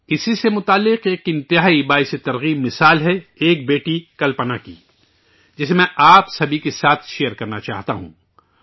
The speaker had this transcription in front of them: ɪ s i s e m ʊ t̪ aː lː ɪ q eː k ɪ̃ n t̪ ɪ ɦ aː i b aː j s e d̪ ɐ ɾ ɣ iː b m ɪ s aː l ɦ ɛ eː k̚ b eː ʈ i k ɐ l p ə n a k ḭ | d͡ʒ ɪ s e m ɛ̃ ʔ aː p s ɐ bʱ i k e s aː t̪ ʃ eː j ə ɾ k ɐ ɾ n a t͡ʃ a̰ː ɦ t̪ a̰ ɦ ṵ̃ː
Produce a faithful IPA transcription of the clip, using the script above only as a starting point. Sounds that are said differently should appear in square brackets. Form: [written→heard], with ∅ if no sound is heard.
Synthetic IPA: ɪ s i s e m ʊ t̪ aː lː ɪ q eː k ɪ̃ n t̪ ɪ ɦ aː i b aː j s e [d̪→t̪] ɐ ɾ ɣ iː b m ɪ s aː l ɦ ɛ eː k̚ b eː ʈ i k ɐ l p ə n a k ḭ | d͡ʒ ɪ s e m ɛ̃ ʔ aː p s ɐ bʱ i k e s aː [t̪→t̪ʰ] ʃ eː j ə ɾ k ɐ ɾ n a t͡ʃ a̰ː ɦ t̪ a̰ ɦ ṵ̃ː